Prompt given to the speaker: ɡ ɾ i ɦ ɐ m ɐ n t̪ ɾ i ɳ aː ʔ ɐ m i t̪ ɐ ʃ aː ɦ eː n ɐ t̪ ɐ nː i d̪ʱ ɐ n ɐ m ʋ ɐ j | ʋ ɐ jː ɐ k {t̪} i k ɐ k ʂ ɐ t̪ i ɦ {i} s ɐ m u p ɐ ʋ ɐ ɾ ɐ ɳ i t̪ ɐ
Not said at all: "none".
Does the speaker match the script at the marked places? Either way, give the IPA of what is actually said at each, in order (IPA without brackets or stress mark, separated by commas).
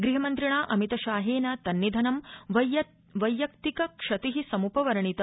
t̪, i